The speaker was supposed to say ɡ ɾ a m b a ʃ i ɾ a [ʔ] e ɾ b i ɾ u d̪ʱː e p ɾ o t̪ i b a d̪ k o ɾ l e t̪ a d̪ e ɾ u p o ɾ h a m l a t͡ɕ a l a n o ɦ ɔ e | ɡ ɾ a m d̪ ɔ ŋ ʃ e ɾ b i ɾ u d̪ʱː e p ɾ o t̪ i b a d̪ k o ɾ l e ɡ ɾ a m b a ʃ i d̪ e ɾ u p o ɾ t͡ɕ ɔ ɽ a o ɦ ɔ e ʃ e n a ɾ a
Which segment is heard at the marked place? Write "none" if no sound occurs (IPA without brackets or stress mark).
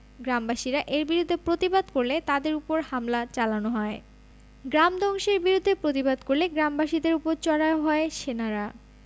ʔ